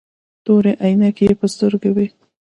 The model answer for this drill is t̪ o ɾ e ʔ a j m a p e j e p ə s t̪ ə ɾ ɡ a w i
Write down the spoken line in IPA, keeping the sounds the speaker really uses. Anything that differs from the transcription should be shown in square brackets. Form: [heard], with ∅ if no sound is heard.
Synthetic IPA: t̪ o ɾ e ʔ a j [n] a [k] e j e p ə s t̪ ə ɾ ɡ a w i